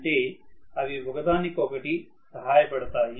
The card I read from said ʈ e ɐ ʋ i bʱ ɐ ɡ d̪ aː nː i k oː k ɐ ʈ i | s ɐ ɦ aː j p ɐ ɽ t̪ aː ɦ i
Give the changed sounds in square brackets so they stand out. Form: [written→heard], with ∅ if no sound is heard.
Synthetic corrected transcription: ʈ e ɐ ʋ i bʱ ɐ ɡ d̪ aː [nː→n] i k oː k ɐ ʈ i | s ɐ ɦ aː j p ɐ ɽ t̪ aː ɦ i

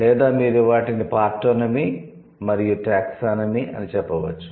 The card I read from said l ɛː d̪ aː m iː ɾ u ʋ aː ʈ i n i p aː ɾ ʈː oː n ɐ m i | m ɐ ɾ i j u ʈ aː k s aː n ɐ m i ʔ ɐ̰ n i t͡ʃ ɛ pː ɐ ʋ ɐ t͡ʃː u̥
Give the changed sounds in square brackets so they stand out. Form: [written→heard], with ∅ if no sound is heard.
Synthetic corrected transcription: l ɛː d̪ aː m iː ɾ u ʋ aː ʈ i n i p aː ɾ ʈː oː n ɐ m i | m ɐ ɾ i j u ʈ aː k s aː n ɐ m i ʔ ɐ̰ n i t͡ʃ ɛ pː ɐ ʋ ɐ t͡ʃː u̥

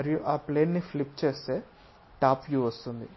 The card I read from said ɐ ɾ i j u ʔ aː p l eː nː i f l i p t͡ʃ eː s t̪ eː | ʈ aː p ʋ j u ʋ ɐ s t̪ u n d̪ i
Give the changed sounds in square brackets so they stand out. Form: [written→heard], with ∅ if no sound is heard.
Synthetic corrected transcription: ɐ ɾ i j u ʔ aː p l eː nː i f l i p t͡ʃ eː s t̪ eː | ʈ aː p ʋ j u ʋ ɐ s t̪ u n d̪ i

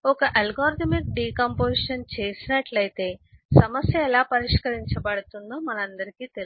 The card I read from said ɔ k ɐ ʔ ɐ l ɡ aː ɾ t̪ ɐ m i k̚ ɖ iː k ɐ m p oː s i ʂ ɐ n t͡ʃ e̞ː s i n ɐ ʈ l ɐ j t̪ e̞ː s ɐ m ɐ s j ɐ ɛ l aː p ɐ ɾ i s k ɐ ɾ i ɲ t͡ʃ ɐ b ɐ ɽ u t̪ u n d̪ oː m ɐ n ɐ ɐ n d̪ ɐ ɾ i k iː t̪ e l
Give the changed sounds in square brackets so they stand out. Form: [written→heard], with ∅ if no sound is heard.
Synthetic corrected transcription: ɔ k ɐ ʔ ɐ l ɡ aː ɾ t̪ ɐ m i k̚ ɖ iː k ɐ m p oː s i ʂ ɐ n t͡ʃ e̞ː s i n ɐ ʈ l ɐ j t̪ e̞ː s ɐ m ɐ s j ɐ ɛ l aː p ɐ ɾ i [s→ʂ] k ɐ ɾ i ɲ t͡ʃ ɐ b ɐ ɽ u t̪ u n d̪ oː m ɐ n ɐ ɐ n d̪ ɐ ɾ i k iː t̪ e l

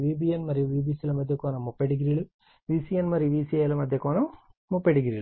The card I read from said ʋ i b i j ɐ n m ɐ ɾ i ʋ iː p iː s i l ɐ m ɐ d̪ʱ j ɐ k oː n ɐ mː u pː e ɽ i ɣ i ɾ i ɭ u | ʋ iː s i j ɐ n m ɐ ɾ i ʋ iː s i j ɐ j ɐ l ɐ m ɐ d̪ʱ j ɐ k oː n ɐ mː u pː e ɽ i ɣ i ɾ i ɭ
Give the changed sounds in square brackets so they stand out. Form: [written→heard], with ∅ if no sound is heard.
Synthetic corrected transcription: ʋ i b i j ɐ n m ɐ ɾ i ʋ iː [p→b] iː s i l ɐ m ɐ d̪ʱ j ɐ k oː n ɐ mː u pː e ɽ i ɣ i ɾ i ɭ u | ʋ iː s i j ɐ n m ɐ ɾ i ʋ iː s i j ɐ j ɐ l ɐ m ɐ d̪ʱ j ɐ k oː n ɐ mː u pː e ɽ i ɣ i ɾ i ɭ

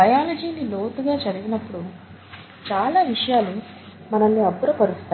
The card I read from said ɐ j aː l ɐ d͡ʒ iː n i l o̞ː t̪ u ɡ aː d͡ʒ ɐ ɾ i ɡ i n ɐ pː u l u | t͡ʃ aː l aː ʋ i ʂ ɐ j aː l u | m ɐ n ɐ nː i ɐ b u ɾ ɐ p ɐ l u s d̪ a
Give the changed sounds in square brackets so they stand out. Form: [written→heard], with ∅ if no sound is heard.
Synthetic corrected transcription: ɐ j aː l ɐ d͡ʒ iː n i l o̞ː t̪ u ɡ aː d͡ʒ ɐ ɾ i ɡ i n ɐ pː u [l→ɽ] u | t͡ʃ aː l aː ʋ i ʂ ɐ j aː l u | m ɐ n ɐ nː i ɐ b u ɾ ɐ p ɐ [l→ɾ] u s [d̪→t̪] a

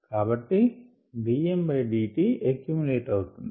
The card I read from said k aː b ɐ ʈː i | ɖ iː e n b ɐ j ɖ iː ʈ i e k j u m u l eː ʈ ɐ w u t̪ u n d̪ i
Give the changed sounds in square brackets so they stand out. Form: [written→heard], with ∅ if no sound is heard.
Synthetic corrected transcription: k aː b ɐ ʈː i | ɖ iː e [n→m] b ɐ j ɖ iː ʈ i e k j u m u l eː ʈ ɐ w u t̪ u n d̪ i

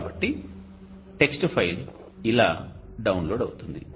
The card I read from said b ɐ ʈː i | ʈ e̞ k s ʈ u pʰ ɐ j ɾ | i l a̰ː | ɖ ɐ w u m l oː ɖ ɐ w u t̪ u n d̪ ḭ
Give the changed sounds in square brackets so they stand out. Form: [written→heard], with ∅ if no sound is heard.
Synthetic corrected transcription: b ɐ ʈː i | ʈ e̞ k s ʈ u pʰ ɐ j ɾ | i l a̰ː | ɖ ɐ w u [m→n] l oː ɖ ɐ w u t̪ u n d̪ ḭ

